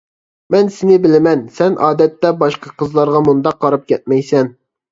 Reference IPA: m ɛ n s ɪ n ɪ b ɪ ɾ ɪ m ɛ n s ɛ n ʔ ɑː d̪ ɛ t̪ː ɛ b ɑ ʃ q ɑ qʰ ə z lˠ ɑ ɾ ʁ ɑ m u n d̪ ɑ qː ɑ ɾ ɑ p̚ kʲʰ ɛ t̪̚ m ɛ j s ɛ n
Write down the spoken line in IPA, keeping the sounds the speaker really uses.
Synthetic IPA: m ɛ n s ɪ n ɪ b ɪ l ɪ m ɛ n s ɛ n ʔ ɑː d̪ ɛ t̪ː ɛ b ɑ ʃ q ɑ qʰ ə z lˠ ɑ ɾ ʁ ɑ m u n d̪ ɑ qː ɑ ɾ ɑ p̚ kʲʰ ɛ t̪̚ m ɛ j s ɛ n